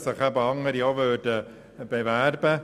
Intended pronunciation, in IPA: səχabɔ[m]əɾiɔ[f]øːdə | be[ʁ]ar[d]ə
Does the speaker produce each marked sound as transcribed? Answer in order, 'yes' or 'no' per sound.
no, no, no, no

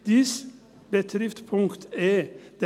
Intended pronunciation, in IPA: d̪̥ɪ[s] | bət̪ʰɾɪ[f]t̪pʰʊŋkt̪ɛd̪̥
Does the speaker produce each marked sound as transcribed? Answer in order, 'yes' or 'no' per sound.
yes, yes

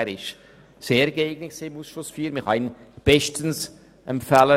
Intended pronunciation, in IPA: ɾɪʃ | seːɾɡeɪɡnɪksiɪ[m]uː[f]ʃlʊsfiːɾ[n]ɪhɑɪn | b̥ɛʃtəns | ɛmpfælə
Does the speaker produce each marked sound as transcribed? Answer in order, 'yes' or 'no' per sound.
yes, no, no

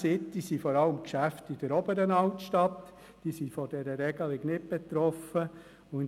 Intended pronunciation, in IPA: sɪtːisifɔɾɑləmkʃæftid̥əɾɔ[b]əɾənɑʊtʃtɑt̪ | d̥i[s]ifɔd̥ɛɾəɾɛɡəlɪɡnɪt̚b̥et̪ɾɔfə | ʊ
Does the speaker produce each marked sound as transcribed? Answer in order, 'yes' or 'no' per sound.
yes, yes

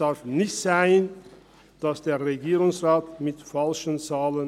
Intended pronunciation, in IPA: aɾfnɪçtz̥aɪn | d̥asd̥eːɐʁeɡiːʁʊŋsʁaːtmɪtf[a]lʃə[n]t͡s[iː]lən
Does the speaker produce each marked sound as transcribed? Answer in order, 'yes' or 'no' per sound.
yes, yes, no

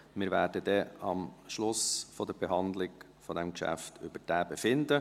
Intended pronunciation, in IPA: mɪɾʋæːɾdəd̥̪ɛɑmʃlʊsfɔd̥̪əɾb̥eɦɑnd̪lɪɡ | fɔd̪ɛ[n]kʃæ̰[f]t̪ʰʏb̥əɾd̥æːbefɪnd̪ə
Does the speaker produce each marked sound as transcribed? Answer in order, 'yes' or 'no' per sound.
no, yes

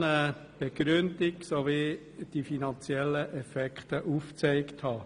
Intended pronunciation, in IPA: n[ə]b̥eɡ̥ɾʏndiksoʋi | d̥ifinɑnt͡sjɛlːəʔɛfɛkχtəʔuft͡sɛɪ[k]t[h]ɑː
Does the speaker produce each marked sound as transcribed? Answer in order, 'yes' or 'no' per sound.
yes, yes, yes

